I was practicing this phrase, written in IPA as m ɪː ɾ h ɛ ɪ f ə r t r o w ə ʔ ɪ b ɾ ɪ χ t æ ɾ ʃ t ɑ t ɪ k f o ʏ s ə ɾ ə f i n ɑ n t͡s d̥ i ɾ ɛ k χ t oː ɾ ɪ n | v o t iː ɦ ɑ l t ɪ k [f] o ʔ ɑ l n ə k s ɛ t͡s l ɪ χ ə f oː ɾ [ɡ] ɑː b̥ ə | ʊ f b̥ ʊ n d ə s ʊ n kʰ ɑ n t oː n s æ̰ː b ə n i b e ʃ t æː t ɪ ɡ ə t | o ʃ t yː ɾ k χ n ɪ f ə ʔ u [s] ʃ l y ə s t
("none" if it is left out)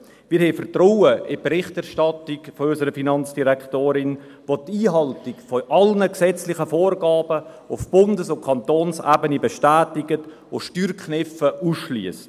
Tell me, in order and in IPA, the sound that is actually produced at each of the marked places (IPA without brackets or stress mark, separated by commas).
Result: f, ɡ, s